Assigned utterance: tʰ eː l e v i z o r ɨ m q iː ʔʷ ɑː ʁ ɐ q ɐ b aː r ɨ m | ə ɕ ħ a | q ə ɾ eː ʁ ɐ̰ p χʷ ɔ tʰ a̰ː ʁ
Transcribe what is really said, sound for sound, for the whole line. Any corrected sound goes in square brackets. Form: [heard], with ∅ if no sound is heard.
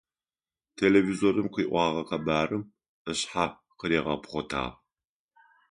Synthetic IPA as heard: tʰ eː l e v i z o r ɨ m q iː ʔʷ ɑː ʁ ɐ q ɐ b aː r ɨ m | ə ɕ ħ a | q ə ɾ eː ʁ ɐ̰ p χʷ ɔ tʰ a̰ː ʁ